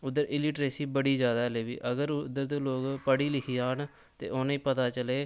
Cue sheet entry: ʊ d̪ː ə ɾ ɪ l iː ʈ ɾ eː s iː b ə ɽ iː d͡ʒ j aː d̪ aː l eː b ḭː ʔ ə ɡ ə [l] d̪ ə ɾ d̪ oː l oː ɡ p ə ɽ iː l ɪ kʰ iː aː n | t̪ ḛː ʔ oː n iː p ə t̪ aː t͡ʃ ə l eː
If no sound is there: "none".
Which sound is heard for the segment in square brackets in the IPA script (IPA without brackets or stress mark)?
ɾ